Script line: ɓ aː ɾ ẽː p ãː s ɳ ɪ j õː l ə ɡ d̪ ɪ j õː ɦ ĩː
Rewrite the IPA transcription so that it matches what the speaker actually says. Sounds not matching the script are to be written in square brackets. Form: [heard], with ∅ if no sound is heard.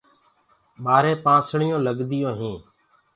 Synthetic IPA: ɓ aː ɾ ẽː p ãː s ɳ ɪ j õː l ə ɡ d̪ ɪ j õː ɦ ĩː